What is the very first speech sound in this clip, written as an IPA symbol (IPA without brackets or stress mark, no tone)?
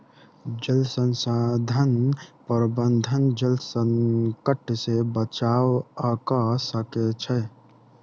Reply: d͡ʒ